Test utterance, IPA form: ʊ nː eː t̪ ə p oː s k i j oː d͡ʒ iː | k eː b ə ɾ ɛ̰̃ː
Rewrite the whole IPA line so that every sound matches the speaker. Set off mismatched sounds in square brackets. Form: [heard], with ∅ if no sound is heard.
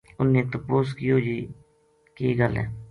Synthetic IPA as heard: ʊ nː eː t̪ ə p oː s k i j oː d͡ʒ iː | k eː [ɡ] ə [l] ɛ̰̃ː